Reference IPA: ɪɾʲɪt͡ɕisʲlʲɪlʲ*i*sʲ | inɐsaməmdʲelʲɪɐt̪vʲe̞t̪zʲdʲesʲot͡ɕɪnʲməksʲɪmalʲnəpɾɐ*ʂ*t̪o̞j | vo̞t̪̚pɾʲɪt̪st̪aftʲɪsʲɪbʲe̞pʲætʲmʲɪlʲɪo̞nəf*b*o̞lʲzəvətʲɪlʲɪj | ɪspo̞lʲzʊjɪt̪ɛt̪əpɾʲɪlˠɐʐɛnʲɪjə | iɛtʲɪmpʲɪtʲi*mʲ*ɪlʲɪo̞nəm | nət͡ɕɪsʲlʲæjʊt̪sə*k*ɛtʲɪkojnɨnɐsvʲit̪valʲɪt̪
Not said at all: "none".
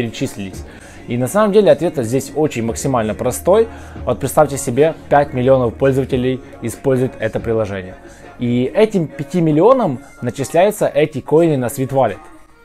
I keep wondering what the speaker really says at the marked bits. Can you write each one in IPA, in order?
ɪ, s, p, mʲ, ʔ

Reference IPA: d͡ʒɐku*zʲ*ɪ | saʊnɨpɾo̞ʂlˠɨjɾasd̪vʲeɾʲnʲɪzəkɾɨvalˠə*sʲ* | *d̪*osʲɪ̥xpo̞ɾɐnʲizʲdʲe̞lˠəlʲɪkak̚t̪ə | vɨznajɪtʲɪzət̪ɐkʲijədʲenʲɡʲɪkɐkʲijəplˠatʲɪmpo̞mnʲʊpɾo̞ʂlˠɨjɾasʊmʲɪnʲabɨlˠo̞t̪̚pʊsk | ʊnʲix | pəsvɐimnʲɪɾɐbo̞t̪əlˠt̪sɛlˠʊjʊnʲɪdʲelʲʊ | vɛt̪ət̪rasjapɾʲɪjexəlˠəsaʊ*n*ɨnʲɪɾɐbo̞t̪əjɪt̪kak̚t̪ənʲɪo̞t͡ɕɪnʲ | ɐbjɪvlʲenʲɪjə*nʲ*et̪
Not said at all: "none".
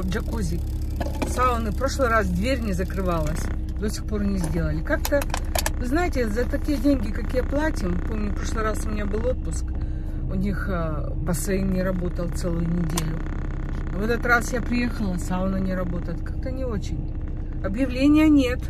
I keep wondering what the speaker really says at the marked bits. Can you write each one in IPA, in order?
zʲ, sʲ, d̪, n, nʲ

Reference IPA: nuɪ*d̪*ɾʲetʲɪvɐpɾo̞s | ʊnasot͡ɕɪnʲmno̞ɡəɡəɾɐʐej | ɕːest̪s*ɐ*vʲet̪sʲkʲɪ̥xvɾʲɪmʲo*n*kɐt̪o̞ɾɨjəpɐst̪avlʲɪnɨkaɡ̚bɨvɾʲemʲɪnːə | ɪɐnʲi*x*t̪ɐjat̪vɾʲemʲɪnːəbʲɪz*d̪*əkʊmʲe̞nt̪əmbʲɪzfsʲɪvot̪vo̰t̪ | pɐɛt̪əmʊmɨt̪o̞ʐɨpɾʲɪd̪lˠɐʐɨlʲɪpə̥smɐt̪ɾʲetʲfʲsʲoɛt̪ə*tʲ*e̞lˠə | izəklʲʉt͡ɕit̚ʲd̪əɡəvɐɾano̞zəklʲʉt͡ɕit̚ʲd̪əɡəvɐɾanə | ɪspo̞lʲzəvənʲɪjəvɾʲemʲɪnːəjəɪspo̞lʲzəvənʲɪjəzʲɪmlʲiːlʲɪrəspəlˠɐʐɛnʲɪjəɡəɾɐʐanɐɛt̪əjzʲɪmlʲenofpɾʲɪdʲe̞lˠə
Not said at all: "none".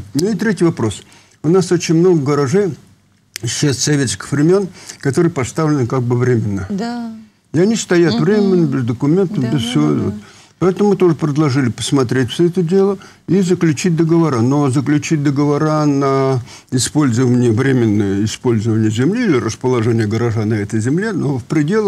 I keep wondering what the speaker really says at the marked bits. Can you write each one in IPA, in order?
t̪, ɐ, n, s, d̪, dʲ

